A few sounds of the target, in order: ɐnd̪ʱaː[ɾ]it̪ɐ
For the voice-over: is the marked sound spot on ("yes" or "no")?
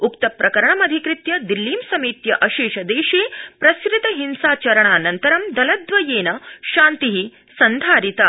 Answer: yes